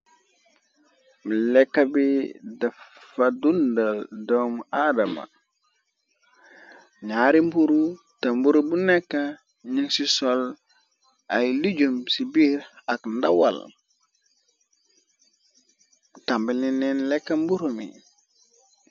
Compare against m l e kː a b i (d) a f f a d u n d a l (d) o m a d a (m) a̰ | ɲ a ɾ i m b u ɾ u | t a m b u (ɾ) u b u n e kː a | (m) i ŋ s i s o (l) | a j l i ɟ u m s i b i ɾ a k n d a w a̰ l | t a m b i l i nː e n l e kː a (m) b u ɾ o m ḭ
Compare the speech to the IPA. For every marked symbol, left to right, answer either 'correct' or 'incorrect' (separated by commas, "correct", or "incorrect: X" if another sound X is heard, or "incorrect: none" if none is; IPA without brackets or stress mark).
correct, correct, correct, correct, incorrect: ɲ, correct, correct